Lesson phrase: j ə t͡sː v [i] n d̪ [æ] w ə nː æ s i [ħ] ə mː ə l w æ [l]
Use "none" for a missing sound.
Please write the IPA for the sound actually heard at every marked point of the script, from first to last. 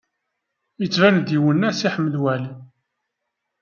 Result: æ, i, ħ, l

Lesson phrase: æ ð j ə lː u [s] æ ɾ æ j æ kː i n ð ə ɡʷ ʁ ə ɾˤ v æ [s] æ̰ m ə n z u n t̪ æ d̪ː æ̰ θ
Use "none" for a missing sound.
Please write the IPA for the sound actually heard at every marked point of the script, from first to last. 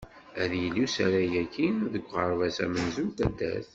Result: s, s

